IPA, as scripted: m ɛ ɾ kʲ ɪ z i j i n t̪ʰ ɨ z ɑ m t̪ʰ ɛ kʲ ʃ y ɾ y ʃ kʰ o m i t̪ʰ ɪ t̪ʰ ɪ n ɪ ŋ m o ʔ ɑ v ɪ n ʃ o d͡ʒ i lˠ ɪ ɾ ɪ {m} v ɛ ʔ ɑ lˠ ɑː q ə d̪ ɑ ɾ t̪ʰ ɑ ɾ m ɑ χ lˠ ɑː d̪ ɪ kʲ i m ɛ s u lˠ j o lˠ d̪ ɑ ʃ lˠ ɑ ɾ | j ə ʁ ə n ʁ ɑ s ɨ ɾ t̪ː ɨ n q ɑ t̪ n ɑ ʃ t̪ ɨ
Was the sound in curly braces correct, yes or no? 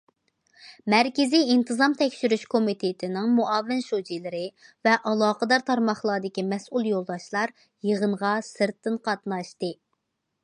no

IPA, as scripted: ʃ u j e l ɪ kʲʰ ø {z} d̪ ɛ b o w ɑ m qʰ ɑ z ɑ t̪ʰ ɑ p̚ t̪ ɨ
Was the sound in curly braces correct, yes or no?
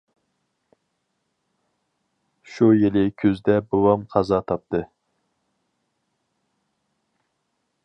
yes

